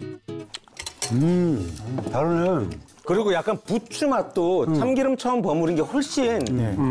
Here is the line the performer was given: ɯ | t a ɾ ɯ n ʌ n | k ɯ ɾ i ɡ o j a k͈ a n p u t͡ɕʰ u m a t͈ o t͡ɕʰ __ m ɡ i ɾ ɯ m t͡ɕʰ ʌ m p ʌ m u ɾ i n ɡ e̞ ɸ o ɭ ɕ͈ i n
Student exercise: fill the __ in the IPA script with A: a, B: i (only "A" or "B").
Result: A